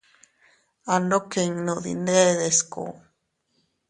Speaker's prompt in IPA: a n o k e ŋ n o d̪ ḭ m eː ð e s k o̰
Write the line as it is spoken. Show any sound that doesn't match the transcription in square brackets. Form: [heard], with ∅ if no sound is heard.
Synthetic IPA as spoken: a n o k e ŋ n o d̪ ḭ [n] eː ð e s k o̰

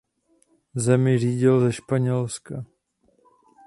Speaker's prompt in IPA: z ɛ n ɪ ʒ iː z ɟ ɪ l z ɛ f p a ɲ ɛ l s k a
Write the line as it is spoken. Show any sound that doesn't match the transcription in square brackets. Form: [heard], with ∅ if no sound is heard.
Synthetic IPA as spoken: z ɛ [m] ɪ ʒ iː [∅] ɟ ɪ l z ɛ [ʃ] p a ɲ ɛ l s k a

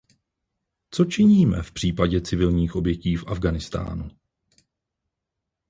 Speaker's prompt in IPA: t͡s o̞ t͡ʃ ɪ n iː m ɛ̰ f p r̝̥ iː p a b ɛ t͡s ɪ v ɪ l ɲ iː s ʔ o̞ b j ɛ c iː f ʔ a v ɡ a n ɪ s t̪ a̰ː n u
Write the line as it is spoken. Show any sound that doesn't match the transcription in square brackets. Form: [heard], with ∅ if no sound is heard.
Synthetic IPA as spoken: t͡s o̞ t͡ʃ ɪ [ɲ] iː m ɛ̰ f p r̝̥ iː p a [ɟ] ɛ t͡s ɪ v ɪ l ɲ iː [x] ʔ o̞ b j ɛ c iː f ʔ a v ɡ a n ɪ s t̪ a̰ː n u

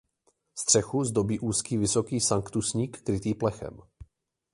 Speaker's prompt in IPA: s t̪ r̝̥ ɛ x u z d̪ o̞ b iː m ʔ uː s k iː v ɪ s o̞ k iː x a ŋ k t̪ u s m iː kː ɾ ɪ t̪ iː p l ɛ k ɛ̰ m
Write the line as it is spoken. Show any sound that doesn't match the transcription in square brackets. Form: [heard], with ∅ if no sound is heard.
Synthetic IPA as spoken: s t̪ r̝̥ ɛ x u z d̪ o̞ b iː [∅] ʔ uː s k iː v ɪ s o̞ k iː [s] a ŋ k t̪ u s [ɲ] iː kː ɾ ɪ t̪ iː p l ɛ [x] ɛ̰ m

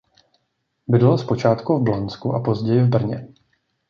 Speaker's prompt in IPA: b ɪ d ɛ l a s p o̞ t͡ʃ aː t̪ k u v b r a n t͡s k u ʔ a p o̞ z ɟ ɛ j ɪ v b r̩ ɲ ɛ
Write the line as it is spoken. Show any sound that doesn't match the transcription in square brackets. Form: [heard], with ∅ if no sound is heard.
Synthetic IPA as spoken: b ɪ d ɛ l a s p o̞ t͡ʃ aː t̪ k u v b [l] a n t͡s k u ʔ a p o̞ z ɟ ɛ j ɪ v b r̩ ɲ ɛ

